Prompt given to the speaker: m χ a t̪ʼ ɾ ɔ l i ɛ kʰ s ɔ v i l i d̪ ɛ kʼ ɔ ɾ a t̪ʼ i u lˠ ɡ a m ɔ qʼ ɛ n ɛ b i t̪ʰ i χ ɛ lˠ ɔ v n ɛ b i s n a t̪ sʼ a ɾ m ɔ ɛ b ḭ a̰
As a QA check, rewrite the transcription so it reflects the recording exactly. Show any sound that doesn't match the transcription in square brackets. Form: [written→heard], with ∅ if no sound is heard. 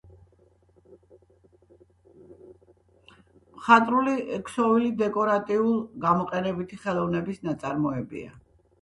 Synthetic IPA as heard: m χ a t̪ʼ ɾ [ɔ→u] l i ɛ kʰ s ɔ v i l i d̪ ɛ kʼ ɔ ɾ a t̪ʼ i u lˠ ɡ a m ɔ qʼ ɛ n ɛ b i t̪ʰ i χ ɛ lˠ ɔ v n ɛ b i s n a t̪ sʼ a ɾ m ɔ ɛ b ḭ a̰